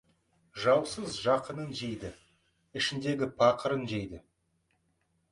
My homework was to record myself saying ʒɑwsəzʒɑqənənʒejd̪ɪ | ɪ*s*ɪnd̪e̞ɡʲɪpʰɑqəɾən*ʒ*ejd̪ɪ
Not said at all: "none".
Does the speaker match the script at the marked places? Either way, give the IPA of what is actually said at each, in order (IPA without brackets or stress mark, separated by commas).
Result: ʃ, ʒ